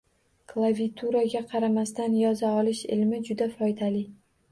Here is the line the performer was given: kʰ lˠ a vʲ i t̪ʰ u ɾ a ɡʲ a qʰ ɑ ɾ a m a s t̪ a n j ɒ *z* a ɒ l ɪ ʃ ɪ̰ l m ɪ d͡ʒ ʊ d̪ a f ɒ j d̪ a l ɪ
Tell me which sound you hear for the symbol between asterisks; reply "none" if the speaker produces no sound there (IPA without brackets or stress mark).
z